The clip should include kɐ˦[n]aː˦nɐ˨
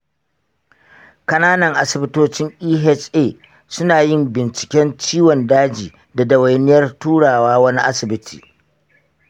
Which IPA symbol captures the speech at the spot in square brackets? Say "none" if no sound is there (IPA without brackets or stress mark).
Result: n